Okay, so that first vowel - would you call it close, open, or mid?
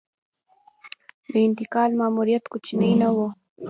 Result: mid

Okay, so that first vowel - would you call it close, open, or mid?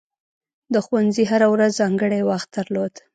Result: mid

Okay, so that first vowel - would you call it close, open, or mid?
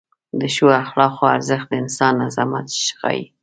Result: mid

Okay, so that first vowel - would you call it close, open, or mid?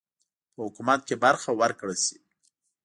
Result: mid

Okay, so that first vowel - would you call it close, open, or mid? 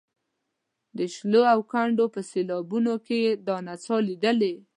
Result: mid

